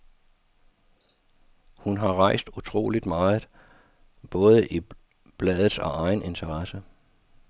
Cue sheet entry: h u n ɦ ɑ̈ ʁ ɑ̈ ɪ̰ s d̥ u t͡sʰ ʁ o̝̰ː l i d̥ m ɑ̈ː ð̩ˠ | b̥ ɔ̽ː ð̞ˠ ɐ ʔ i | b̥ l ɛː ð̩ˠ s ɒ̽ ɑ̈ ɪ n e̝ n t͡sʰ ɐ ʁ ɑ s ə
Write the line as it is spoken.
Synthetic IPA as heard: h u n ɦ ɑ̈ ʁ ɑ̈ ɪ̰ s d̥ u t͡sʰ ʁ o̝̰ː l i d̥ m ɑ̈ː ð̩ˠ | b̥ ɔ̽ː ð̞ˠ ə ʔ i | b̥ l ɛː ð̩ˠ s ɒ̽ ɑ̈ ɪ n e̝ n t͡sʰ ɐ ʁ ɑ s ə